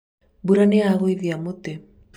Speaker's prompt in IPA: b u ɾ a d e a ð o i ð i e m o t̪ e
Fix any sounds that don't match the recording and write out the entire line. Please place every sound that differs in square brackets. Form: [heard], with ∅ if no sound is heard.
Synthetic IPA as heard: b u ɾ a [n] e a [ɣ] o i ð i [a] m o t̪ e